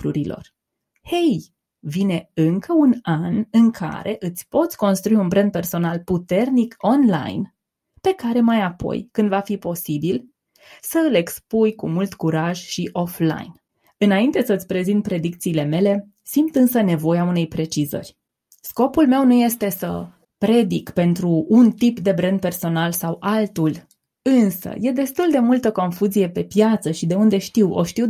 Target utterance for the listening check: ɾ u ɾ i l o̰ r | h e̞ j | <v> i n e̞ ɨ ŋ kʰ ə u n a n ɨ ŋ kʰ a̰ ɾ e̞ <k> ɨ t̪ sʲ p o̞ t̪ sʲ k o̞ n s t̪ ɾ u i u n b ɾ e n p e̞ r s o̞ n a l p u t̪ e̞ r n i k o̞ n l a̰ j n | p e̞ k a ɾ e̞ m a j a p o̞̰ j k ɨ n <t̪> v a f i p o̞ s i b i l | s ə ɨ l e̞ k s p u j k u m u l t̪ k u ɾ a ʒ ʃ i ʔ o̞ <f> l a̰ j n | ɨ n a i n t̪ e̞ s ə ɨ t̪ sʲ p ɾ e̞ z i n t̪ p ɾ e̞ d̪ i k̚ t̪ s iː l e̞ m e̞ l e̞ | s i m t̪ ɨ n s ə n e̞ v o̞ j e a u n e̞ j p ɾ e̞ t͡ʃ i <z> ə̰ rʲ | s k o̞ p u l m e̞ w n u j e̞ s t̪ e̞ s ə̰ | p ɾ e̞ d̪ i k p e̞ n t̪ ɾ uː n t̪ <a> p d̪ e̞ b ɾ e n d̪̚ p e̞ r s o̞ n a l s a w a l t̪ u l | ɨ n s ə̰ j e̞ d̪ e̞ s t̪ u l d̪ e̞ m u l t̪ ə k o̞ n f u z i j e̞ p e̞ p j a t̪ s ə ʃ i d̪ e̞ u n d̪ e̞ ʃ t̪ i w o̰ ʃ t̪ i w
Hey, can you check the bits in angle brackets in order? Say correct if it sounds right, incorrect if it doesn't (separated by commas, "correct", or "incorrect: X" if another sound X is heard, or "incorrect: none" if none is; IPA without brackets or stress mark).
correct, incorrect: ʔ, incorrect: d̪, correct, correct, incorrect: i